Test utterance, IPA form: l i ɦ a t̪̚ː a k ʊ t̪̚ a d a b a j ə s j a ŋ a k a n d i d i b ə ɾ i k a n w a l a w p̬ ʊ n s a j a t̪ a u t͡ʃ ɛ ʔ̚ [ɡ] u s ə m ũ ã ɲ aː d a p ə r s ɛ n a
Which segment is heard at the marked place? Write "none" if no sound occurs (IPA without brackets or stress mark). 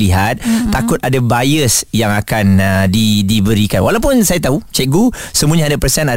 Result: ɡ